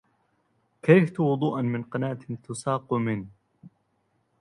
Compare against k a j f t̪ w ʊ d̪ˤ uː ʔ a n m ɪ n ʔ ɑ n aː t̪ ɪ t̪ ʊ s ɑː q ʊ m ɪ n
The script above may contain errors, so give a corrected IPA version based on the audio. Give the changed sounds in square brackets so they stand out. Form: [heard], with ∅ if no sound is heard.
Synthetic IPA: k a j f t̪ w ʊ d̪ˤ uː ʔ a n m ɪ n [q] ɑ n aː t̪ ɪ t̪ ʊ s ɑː q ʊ m ɪ n